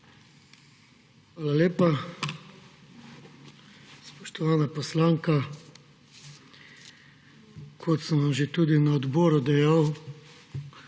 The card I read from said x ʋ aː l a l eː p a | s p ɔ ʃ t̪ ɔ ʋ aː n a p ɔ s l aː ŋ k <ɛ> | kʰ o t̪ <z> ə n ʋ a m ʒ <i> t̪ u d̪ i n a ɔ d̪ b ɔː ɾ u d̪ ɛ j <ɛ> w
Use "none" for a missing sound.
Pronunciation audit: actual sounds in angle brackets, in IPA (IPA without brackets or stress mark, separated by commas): a, s, e, a